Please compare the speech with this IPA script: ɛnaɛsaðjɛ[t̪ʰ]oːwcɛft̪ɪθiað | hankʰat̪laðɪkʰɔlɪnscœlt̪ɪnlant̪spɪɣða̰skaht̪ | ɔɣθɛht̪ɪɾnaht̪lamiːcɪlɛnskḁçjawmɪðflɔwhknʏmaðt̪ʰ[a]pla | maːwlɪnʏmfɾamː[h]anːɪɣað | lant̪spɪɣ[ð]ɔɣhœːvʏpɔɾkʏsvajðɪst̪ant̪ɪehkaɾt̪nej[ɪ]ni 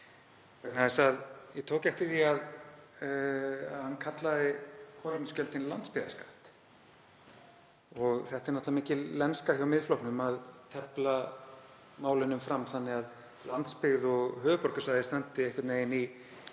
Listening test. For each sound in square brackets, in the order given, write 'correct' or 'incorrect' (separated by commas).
correct, incorrect, incorrect, correct, correct